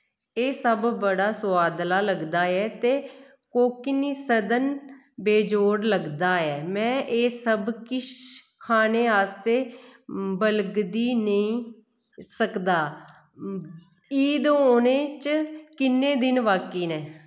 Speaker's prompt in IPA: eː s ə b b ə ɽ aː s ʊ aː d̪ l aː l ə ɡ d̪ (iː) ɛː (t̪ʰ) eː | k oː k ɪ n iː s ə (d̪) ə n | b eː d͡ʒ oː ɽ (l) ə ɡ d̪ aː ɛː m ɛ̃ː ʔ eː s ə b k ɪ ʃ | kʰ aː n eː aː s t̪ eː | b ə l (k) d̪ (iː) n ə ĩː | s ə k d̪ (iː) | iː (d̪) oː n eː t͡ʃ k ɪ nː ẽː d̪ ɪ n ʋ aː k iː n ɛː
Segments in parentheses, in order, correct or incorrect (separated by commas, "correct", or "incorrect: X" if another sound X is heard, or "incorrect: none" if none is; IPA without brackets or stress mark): incorrect: aː, incorrect: t̪, correct, correct, incorrect: ɡ, correct, incorrect: aː, correct